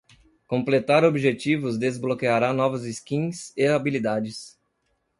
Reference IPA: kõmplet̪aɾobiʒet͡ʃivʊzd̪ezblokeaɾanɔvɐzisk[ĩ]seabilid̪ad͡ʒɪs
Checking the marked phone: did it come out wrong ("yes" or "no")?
no